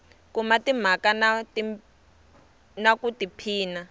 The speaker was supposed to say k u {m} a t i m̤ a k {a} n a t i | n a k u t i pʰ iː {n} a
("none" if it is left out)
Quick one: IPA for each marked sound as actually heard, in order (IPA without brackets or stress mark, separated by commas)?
m, a, n